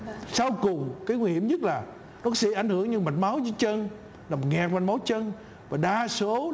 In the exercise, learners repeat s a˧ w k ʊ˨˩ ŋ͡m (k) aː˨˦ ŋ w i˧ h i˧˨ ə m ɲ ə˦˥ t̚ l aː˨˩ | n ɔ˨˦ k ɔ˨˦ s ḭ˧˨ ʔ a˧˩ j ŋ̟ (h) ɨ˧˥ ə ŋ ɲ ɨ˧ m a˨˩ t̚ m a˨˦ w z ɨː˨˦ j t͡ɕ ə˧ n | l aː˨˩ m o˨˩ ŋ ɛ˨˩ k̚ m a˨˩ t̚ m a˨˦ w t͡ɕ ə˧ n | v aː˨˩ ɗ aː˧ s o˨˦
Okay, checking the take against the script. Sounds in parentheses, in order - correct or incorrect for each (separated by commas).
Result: correct, correct